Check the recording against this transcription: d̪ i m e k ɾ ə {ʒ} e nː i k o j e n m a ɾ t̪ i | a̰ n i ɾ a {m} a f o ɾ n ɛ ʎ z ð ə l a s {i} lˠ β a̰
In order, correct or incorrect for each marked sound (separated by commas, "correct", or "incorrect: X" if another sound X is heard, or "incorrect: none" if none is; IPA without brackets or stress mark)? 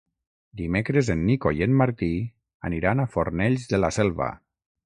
incorrect: z, incorrect: n, incorrect: ɛ